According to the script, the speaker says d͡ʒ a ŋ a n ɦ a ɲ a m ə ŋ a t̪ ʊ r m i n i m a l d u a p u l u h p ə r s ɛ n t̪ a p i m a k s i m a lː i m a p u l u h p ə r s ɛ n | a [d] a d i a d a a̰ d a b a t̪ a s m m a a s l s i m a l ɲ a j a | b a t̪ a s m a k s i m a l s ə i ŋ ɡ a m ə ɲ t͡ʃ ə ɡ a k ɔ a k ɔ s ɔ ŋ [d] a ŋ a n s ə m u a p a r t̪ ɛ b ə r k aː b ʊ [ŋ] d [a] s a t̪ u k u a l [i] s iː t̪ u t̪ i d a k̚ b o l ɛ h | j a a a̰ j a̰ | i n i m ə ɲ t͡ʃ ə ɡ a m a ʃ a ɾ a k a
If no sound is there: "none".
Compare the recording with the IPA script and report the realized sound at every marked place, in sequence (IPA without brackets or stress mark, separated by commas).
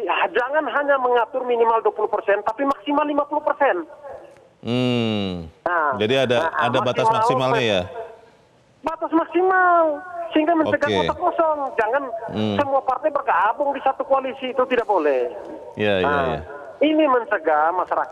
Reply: d͡ʒ, d͡ʒ, ŋ, i, i